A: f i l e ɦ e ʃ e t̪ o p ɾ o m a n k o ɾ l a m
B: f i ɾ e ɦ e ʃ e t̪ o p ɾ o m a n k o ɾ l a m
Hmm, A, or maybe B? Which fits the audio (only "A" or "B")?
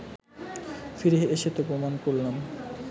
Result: B